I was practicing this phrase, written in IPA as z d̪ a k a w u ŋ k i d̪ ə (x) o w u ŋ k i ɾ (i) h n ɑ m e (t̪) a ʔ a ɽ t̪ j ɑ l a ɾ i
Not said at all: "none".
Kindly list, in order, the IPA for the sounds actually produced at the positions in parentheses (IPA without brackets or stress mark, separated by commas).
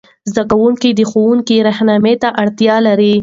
x, a, t̪